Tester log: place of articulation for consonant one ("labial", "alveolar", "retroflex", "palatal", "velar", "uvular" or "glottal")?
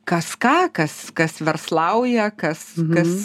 velar